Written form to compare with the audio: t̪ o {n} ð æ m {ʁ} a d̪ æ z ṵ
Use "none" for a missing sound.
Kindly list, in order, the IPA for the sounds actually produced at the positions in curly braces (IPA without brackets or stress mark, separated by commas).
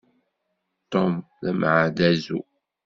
m, ʕ